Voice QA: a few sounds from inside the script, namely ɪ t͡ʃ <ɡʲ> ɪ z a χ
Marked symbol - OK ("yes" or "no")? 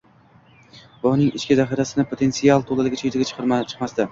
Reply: no